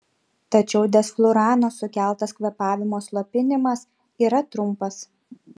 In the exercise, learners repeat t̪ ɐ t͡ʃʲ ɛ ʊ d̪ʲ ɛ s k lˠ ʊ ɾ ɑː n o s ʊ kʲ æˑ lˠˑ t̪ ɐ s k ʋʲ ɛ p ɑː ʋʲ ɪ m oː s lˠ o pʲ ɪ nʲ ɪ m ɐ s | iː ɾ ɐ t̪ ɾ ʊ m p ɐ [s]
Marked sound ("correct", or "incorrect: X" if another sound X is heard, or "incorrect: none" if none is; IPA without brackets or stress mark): correct